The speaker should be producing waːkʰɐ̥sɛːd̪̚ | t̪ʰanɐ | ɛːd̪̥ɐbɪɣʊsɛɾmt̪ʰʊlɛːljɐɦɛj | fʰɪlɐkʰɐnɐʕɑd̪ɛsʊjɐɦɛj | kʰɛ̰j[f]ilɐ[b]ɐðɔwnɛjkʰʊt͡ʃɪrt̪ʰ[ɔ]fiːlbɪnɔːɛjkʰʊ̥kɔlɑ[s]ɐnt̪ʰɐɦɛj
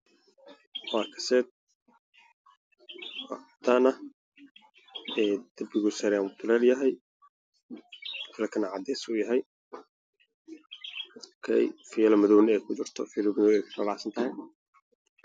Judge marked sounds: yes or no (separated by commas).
yes, no, yes, yes